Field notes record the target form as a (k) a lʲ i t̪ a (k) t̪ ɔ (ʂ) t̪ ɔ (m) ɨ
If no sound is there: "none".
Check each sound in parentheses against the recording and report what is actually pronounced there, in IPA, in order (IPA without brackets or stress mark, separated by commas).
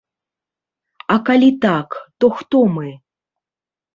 k, k, x, m